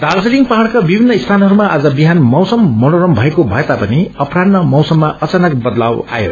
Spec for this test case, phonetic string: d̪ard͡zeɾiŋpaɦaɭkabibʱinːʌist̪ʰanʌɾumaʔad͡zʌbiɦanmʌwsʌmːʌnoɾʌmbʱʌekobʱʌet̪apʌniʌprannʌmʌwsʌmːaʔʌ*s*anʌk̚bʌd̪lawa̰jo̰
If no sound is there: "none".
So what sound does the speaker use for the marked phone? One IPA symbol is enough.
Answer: t͡s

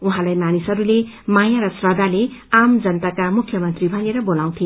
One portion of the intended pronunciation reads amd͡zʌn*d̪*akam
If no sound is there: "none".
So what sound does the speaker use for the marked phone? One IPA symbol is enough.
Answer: t̪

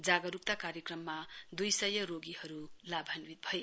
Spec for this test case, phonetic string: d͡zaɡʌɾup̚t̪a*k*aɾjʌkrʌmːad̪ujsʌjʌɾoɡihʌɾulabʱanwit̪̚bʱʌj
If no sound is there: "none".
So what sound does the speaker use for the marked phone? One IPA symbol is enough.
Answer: k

